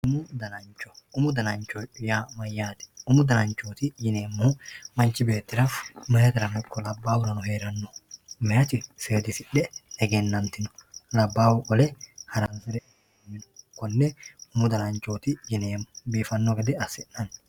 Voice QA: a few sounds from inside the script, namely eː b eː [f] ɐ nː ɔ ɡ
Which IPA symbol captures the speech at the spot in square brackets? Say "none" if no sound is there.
f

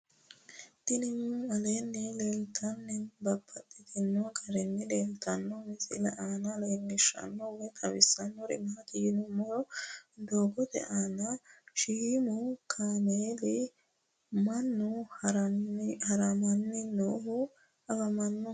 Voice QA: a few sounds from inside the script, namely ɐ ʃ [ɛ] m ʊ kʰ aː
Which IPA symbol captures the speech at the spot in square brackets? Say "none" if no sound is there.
i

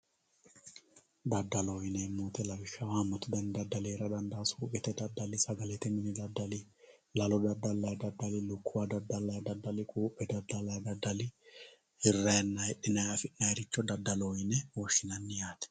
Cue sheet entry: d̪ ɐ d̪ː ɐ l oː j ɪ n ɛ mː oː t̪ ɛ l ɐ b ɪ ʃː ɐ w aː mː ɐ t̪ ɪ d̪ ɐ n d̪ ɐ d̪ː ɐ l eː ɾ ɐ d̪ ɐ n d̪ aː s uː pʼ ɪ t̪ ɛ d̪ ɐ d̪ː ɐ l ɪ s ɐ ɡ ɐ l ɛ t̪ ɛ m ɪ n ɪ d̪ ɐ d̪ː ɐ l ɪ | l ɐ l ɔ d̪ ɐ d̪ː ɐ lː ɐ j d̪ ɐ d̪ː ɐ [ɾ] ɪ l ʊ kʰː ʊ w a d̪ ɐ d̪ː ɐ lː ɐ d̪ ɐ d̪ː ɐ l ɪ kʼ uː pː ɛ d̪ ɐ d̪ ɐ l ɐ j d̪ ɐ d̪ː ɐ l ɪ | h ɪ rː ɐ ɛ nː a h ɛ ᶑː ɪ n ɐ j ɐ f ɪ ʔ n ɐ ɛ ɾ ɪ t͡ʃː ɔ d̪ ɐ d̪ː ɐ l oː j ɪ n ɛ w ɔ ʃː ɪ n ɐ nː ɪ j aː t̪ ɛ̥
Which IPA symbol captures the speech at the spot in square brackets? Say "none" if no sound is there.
l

